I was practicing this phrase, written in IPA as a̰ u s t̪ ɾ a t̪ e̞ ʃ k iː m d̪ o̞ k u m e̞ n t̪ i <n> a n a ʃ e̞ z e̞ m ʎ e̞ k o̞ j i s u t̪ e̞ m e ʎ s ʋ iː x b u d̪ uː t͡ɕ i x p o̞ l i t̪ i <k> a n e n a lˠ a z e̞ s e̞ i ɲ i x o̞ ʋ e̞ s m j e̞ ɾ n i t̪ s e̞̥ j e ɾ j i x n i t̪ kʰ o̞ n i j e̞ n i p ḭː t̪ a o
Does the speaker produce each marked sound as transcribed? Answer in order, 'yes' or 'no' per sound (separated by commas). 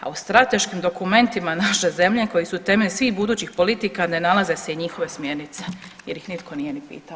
no, yes